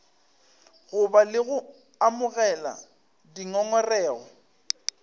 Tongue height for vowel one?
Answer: high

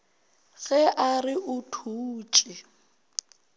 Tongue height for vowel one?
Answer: mid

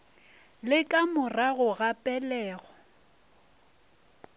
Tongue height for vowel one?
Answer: high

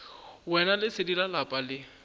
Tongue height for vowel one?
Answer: mid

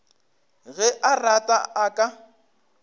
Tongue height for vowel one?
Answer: mid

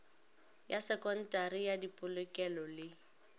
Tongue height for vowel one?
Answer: low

